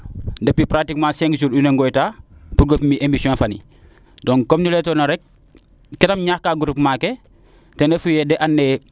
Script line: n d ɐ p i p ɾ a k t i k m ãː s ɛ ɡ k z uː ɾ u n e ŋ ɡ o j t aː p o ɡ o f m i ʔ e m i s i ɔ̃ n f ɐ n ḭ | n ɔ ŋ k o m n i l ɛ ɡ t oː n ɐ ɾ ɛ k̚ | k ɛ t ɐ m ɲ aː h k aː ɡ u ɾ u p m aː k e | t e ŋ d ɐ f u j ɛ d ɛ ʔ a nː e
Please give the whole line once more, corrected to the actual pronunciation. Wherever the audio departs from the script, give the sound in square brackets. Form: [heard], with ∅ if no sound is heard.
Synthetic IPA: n d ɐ p i p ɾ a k t i k m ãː s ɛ [ŋ] k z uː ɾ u n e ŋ ɡ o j t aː p [u] ɡ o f m i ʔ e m i s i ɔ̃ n f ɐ n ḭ | [d] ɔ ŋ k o m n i l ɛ [∅] t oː n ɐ ɾ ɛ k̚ | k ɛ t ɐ m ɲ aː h k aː ɡ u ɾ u p m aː k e | t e [n] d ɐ f u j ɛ d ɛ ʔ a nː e

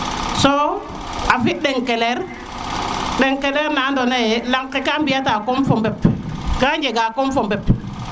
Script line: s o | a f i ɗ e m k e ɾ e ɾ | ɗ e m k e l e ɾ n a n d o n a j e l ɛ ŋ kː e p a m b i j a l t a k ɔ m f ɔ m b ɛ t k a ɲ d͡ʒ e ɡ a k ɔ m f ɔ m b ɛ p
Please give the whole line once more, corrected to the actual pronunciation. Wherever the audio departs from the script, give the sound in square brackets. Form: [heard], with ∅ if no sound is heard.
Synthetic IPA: s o | a f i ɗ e [ŋ] k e [l] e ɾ | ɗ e [ŋ] k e l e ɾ n a n d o n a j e l [a] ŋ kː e [k] a m b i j a [∅] t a k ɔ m f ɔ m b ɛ [p] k a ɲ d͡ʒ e ɡ a k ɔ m f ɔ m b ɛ p

